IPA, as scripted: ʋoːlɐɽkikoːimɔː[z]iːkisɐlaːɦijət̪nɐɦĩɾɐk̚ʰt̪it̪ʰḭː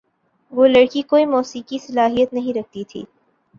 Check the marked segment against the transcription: incorrect: s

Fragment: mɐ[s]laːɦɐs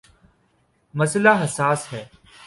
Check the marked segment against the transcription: correct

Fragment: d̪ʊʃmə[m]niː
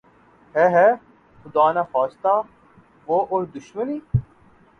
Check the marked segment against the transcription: incorrect: none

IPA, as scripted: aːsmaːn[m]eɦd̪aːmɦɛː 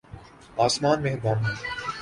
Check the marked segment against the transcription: correct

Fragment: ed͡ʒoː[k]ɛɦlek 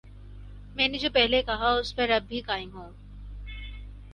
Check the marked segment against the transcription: incorrect: p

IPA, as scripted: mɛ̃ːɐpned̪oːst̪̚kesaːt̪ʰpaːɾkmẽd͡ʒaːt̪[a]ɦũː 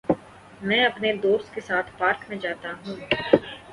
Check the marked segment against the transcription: correct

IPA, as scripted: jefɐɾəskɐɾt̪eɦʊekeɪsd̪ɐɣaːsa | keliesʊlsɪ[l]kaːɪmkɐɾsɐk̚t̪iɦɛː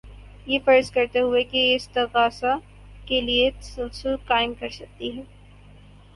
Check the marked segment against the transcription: correct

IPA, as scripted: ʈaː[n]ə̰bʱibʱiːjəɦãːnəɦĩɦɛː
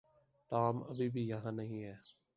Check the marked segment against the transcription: incorrect: m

